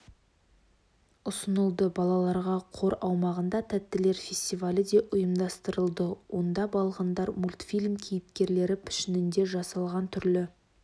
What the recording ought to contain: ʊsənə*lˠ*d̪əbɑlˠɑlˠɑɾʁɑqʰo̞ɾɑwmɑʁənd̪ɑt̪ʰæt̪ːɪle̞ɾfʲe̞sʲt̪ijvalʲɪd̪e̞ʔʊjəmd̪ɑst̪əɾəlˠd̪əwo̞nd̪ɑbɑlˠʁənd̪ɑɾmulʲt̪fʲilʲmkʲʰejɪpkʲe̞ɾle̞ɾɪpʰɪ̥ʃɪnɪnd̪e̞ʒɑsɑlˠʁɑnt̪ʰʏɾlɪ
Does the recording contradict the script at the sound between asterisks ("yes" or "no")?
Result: no